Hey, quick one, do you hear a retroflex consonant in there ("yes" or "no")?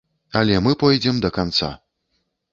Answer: no